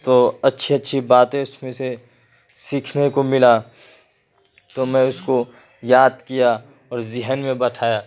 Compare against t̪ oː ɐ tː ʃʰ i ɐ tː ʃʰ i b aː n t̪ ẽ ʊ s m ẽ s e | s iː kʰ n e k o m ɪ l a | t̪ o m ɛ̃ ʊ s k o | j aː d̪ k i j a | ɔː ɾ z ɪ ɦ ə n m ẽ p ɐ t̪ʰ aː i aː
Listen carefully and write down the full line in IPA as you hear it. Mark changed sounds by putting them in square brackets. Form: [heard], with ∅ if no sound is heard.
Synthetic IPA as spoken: t̪ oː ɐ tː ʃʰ i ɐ tː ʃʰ i b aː [∅] t̪ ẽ ʊ s m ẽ s e | s iː kʰ n e k o m ɪ l a | t̪ o m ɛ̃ ʊ s k o | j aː d̪ k i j a | ɔː ɾ z ɪ ɦ ə n m ẽ [b] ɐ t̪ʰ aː [j] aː